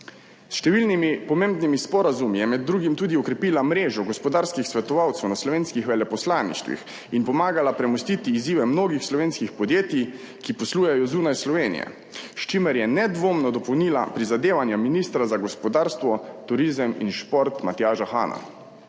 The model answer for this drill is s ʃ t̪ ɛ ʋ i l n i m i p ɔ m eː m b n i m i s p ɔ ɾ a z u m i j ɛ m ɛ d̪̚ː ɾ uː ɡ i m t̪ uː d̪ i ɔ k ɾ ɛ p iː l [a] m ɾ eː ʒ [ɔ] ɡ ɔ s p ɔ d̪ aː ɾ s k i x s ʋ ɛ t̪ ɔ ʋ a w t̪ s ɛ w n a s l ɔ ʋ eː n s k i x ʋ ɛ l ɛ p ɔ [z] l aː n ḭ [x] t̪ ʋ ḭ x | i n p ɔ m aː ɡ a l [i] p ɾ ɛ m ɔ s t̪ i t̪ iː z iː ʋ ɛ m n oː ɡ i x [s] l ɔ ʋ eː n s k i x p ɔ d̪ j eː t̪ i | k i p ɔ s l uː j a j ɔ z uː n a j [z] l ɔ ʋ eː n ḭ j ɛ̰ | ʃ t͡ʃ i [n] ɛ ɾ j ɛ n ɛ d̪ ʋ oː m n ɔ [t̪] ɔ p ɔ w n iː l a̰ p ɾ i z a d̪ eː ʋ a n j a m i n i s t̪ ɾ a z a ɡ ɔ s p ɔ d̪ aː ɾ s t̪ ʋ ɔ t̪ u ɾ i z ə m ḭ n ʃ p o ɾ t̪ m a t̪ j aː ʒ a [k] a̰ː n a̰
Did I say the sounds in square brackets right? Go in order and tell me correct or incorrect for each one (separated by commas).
correct, correct, incorrect, incorrect, incorrect, correct, incorrect, incorrect, incorrect, incorrect